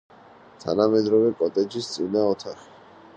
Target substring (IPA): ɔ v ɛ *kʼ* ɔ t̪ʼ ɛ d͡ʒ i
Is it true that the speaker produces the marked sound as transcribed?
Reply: yes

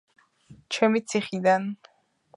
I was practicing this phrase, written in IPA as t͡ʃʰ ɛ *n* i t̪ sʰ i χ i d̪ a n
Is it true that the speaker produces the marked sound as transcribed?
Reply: no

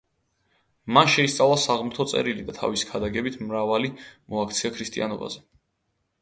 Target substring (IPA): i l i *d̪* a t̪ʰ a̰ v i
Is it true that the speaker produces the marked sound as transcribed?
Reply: yes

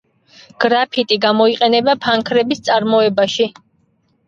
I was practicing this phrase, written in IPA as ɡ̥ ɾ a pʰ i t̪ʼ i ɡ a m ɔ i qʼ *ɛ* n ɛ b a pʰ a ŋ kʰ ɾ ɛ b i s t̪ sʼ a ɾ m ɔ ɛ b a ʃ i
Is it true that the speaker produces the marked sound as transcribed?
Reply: yes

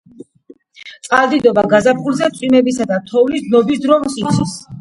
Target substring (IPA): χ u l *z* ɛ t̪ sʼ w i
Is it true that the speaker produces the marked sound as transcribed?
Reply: yes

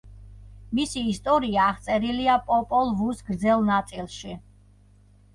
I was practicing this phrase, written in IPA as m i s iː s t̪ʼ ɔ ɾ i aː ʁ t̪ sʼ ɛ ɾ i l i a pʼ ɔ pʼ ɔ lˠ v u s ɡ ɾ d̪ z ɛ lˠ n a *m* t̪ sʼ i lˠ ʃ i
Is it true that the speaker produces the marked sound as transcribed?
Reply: no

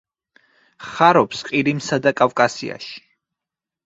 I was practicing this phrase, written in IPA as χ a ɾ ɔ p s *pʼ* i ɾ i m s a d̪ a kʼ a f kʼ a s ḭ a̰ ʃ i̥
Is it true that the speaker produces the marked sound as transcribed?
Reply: no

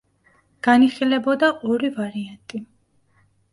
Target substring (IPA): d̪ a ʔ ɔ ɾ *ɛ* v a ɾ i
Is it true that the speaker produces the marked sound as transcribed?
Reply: no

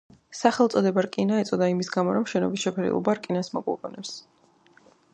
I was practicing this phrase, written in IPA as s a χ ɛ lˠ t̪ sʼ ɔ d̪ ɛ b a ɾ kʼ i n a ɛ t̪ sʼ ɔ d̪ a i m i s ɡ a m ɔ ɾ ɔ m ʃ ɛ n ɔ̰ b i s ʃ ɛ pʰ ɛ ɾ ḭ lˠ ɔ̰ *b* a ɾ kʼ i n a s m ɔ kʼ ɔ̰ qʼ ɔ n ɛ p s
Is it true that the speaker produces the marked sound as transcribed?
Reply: yes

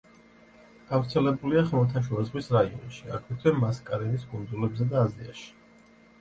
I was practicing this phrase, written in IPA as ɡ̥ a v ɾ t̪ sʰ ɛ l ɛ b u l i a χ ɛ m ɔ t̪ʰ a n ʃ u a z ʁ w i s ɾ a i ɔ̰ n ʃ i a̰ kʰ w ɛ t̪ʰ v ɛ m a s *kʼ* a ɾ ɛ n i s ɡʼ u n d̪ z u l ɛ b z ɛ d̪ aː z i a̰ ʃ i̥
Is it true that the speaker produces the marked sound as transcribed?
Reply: yes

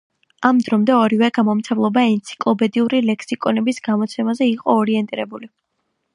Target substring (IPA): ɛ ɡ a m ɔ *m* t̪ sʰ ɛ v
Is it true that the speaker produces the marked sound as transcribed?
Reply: yes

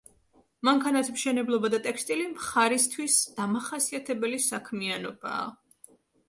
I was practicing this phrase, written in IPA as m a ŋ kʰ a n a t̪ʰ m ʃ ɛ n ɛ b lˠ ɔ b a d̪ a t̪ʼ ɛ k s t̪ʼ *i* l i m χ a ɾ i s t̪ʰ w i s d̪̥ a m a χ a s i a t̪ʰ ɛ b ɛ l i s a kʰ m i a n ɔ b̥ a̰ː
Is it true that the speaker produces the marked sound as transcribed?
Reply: yes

